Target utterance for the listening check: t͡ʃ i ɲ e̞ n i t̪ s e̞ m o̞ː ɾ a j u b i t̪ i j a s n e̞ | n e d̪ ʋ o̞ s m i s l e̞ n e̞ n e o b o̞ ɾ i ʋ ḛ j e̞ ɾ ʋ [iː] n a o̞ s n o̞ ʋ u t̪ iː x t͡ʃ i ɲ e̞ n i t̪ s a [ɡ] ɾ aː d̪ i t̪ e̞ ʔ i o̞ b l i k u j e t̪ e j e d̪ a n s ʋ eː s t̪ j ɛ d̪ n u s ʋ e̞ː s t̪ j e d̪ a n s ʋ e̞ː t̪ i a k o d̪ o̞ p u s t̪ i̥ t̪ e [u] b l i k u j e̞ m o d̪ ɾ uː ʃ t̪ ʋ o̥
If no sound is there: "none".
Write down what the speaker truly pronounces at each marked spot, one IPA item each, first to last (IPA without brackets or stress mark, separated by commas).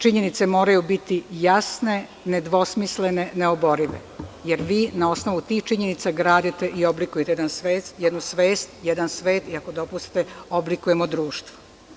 iː, ɡ, o